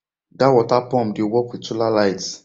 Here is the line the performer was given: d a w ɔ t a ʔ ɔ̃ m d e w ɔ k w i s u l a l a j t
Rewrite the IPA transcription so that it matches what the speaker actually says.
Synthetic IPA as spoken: d a w ɔ t a p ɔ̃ m d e w ɔ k w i t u l a l a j t